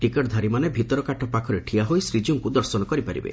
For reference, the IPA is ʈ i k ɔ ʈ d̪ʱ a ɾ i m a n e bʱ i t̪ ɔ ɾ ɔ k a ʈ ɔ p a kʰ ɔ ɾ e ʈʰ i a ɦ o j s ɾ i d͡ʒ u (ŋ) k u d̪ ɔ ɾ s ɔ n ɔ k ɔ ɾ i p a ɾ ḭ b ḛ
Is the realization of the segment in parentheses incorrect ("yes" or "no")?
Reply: no